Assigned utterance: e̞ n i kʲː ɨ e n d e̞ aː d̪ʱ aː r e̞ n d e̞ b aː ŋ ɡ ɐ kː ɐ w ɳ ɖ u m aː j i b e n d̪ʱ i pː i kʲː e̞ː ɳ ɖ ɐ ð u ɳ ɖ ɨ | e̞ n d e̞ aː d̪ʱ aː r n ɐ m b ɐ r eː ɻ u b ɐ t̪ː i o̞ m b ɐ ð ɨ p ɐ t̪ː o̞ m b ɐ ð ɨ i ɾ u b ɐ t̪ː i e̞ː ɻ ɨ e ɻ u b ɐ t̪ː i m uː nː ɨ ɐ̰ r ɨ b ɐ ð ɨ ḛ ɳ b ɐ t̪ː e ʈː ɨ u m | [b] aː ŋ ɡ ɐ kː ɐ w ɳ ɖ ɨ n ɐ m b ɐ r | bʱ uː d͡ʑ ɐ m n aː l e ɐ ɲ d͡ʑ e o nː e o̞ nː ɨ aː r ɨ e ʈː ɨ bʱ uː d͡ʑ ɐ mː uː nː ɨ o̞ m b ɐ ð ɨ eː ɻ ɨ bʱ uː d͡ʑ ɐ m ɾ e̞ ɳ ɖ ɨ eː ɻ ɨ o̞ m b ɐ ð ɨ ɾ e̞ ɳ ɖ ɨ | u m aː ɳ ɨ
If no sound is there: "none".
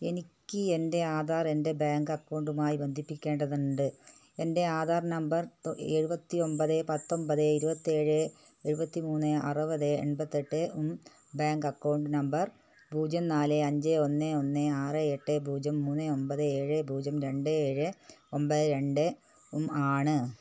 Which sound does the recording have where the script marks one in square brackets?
b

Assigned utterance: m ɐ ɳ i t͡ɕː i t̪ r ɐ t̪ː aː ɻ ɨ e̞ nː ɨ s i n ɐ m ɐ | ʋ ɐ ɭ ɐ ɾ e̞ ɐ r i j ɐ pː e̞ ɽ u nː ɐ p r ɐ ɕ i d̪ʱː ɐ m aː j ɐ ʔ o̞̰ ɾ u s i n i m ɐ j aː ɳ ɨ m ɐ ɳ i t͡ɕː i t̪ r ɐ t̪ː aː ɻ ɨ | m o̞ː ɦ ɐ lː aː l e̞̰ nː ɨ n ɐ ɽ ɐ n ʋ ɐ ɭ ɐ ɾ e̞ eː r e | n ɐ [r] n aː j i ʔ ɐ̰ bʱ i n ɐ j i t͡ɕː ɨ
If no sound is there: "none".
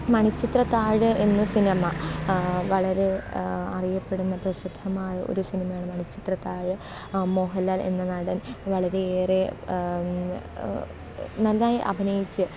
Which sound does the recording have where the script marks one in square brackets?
l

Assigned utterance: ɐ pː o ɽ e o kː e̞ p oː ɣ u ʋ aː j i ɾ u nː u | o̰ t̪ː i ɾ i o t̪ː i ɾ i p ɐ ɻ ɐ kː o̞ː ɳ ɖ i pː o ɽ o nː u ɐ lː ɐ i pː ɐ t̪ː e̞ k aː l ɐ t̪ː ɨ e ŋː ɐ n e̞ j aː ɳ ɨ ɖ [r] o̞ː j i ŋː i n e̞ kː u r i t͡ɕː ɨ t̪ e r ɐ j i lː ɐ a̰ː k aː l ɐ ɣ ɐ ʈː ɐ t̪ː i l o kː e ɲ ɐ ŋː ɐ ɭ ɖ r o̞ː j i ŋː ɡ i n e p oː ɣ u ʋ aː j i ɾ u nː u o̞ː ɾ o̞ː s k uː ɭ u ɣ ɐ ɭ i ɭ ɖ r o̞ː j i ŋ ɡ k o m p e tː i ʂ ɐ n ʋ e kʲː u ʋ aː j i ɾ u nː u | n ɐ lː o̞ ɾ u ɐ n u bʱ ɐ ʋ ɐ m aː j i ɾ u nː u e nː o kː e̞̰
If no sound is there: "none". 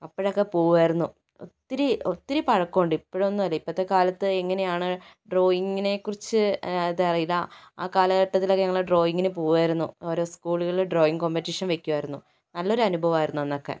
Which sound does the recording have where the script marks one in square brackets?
r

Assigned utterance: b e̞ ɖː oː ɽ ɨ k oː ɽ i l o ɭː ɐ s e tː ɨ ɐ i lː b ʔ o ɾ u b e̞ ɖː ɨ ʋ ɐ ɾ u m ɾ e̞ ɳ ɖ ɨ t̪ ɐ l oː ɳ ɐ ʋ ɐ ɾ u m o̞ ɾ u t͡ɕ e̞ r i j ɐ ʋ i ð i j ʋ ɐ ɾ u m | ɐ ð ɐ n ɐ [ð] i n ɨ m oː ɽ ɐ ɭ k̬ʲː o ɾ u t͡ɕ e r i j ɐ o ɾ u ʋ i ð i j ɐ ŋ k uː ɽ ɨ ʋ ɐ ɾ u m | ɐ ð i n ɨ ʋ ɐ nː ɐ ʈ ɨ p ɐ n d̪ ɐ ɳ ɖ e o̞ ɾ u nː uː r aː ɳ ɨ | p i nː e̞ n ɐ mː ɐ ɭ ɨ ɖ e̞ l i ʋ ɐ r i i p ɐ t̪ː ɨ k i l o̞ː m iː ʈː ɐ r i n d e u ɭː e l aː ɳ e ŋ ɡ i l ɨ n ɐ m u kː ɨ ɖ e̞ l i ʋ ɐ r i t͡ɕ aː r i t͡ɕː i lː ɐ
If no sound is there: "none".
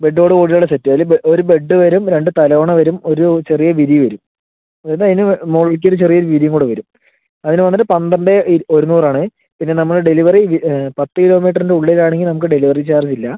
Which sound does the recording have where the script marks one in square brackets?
ð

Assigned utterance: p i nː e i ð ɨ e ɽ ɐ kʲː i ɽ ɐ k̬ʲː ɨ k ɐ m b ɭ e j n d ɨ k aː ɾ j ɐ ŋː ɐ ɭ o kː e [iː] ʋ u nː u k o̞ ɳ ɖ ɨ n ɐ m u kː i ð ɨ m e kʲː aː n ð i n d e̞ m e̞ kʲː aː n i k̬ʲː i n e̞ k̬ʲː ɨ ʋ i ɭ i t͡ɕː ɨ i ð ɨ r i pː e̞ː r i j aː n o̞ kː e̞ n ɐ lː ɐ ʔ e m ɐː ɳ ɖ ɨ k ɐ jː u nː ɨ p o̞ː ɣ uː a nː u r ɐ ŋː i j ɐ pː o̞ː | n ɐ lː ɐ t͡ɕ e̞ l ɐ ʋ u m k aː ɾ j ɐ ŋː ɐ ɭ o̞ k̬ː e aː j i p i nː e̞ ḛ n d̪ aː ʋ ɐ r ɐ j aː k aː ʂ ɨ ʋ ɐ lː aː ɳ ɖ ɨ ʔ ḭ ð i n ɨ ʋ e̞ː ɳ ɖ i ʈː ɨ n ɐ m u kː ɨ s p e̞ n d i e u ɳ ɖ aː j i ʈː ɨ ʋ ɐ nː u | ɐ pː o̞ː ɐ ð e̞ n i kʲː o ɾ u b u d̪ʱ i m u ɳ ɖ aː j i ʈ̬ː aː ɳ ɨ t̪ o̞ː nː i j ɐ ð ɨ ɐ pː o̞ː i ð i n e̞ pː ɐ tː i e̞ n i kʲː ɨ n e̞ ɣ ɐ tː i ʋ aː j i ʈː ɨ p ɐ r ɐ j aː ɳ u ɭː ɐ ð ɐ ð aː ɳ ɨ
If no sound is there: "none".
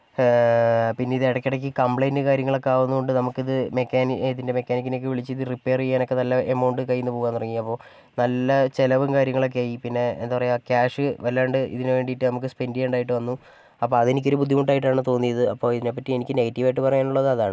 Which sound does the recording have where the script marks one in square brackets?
aː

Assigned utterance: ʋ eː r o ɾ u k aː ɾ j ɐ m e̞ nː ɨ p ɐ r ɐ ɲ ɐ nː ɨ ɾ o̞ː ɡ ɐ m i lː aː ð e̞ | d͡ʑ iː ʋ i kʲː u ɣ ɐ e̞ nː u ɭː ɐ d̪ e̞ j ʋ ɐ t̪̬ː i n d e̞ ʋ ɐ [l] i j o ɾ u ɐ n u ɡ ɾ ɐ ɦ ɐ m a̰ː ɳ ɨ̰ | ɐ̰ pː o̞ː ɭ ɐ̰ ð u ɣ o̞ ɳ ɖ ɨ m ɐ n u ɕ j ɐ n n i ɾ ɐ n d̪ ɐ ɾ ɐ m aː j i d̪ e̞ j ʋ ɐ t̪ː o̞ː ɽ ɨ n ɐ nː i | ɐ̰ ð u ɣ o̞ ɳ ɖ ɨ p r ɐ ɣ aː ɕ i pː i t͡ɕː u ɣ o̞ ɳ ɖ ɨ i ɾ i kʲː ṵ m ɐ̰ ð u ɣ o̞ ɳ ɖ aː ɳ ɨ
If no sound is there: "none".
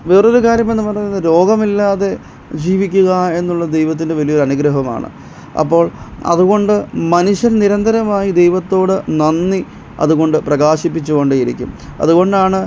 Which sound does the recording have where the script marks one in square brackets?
l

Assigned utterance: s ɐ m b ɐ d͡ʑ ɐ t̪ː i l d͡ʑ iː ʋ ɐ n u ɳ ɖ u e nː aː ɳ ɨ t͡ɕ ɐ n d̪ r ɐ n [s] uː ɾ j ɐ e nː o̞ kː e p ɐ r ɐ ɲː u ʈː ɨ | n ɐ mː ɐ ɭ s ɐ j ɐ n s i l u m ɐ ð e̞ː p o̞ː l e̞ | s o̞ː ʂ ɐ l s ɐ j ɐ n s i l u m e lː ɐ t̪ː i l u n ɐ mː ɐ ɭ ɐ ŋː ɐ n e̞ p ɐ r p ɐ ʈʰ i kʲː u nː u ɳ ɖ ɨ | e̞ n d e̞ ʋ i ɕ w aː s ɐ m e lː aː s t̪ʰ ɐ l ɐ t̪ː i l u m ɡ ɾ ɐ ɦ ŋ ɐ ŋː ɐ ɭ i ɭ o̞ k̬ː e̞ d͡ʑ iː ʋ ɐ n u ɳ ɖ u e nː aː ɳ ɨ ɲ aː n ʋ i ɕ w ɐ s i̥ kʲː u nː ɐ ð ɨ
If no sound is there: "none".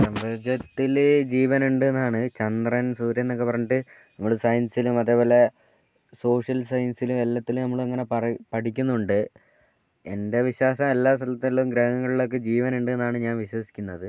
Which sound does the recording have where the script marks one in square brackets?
s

